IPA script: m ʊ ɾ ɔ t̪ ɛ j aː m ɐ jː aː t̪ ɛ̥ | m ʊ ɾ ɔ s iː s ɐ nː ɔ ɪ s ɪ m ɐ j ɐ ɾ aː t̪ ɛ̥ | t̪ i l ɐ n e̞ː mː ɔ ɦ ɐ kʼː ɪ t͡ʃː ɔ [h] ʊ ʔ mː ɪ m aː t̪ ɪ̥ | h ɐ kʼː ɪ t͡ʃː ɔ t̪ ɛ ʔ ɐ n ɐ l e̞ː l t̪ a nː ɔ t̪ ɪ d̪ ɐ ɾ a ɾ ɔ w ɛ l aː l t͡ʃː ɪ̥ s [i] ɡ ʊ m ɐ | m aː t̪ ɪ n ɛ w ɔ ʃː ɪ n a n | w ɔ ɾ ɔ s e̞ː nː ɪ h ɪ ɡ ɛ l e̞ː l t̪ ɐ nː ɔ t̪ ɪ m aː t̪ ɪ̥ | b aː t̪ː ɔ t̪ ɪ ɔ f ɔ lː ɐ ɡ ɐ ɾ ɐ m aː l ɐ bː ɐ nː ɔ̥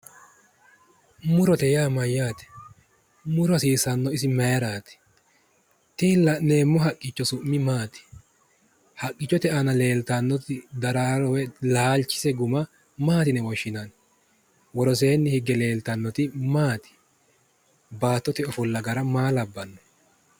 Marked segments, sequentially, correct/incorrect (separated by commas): incorrect, incorrect